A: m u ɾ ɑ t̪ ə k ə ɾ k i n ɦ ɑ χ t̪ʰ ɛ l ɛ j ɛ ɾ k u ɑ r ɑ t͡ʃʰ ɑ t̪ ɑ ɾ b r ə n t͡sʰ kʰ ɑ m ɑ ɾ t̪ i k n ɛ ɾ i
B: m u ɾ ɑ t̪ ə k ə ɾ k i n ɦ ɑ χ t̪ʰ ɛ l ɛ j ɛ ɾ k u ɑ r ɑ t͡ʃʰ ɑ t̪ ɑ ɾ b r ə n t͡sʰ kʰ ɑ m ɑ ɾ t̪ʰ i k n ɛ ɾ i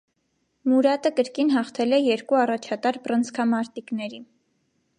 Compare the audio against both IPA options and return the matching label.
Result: A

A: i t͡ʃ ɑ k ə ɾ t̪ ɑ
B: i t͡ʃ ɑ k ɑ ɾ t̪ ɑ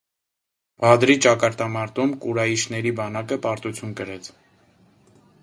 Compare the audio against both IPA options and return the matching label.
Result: B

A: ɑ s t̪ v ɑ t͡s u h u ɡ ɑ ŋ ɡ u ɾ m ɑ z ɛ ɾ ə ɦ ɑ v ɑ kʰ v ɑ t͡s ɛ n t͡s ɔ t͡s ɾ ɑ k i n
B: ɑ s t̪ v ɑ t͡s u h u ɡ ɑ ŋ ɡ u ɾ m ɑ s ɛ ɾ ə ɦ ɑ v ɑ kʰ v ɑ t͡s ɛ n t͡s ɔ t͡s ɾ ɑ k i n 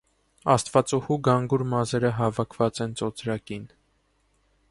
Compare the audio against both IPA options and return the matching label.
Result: A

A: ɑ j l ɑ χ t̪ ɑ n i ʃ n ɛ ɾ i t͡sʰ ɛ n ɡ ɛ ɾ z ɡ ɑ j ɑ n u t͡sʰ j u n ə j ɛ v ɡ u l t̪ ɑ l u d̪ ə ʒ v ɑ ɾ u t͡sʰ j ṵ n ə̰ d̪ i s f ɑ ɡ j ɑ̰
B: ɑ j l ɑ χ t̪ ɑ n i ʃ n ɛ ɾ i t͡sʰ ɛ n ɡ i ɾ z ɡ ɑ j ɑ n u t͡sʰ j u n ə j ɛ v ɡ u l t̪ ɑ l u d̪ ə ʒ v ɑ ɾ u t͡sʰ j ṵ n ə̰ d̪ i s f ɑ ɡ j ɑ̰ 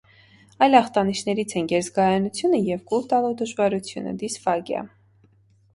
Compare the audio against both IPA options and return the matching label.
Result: A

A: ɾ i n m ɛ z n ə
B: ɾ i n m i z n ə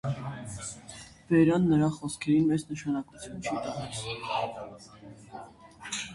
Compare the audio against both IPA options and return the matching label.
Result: A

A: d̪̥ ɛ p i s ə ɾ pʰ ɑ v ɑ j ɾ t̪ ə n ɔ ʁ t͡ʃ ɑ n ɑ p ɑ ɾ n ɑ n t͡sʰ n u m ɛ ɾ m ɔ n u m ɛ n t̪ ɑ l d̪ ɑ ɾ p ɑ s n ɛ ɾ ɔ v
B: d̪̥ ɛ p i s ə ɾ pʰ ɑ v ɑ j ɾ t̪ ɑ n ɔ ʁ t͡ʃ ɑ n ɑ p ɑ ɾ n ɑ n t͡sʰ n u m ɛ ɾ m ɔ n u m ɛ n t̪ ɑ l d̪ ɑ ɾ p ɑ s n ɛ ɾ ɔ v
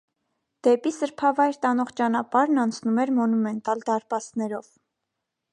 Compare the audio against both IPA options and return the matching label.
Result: B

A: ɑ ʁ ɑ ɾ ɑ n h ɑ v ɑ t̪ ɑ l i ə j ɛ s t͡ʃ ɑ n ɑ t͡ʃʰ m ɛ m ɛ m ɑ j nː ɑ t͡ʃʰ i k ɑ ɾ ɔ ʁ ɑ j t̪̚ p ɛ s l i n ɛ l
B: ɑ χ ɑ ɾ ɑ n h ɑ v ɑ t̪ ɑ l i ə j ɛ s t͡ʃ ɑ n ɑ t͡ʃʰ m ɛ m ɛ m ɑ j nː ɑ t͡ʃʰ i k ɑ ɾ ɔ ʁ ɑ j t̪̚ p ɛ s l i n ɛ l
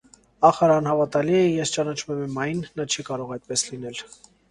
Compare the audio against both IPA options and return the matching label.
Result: B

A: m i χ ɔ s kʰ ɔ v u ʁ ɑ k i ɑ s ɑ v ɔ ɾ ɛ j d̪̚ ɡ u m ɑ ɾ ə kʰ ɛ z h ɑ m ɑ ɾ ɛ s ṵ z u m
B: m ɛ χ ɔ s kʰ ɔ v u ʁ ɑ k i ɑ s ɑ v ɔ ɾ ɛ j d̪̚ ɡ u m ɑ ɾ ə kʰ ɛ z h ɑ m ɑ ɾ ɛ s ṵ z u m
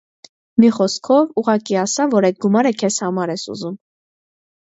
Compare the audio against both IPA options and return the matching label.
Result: A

